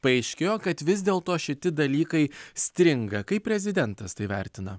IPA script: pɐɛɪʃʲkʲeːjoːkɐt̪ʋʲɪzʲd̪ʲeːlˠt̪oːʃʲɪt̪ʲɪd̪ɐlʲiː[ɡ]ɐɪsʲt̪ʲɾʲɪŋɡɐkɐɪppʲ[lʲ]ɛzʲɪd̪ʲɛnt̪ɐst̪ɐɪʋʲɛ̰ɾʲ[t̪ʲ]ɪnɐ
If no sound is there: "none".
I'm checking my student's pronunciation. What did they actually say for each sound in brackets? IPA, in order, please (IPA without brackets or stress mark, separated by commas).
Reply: k, ɾʲ, t̪ʲ